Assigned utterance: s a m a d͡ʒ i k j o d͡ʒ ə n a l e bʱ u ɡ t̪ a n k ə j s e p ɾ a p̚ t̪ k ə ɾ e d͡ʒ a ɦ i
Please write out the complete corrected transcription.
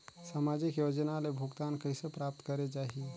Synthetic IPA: s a m a d͡ʒ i k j o d͡ʒ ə n a l e bʱ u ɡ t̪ a n k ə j s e p ɾ a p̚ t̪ k ə ɾ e d͡ʒ a ɦ i